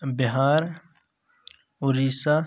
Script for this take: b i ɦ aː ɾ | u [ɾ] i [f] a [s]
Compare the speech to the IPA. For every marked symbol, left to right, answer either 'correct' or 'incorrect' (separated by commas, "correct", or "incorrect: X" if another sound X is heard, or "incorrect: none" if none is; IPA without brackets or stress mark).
correct, incorrect: s, incorrect: none